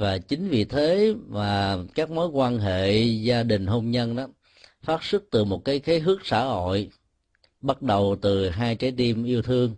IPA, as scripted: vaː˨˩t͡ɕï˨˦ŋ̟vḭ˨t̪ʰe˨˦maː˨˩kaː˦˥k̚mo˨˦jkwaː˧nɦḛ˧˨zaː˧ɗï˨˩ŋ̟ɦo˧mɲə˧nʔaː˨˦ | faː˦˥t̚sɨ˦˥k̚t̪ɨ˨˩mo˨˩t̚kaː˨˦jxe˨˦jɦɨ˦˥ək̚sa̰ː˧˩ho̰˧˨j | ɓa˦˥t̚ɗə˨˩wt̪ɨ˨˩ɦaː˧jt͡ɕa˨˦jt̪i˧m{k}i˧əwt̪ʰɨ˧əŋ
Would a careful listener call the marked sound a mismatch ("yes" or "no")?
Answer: yes